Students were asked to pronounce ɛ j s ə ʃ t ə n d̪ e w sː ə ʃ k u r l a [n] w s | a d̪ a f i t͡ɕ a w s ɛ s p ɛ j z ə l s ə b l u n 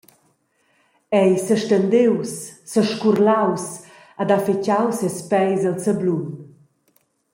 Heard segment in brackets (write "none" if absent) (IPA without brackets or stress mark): none